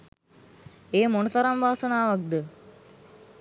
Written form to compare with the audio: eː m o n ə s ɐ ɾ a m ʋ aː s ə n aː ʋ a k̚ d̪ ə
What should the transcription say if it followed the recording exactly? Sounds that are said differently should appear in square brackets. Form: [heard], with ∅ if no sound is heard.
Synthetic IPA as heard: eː m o n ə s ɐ ɾ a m ʋ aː s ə n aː ʋ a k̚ d̪ ə